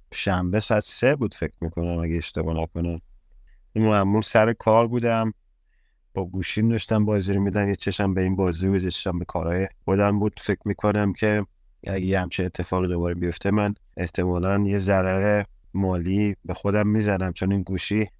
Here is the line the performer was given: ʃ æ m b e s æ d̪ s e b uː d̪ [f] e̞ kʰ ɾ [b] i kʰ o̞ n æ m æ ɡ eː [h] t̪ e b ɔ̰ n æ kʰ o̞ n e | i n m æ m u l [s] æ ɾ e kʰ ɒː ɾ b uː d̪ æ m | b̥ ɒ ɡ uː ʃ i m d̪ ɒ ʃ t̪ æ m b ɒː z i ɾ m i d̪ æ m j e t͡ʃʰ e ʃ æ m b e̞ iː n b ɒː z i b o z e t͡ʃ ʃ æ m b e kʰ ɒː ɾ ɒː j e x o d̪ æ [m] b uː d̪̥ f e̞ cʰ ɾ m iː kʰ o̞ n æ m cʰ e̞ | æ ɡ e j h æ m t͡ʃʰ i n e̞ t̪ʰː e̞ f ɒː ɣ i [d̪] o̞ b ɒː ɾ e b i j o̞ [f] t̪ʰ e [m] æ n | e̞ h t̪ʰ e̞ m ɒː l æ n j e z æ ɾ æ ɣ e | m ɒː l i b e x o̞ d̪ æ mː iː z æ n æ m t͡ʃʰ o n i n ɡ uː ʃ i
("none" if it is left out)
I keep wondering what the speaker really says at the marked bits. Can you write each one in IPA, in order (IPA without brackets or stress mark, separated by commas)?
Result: f, m, ʃ, s, m, d̪, f, m